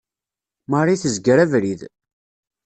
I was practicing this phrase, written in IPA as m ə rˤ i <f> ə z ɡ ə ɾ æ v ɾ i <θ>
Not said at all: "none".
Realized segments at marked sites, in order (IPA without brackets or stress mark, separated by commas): θ, ð